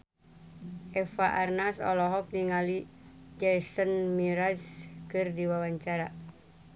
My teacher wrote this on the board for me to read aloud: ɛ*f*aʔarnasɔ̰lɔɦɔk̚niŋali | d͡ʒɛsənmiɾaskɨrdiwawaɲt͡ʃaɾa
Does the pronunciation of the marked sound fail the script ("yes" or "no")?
no